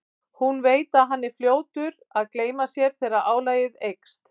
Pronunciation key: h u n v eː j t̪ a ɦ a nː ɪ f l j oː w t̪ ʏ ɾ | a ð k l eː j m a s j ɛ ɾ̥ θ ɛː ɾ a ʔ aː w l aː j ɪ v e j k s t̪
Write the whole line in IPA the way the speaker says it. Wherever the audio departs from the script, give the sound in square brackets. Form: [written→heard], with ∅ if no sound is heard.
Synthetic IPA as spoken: h u n v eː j t̪ a ɦ a nː ɪ f l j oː w t̪ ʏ ɾ | a ð k l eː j m a s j ɛ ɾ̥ θ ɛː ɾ a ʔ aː w l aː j ɪ [v→ð] e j k s t̪